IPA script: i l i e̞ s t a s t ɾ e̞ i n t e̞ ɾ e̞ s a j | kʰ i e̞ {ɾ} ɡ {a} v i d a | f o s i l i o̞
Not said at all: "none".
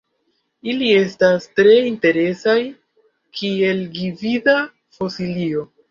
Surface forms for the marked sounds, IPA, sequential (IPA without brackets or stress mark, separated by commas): l, i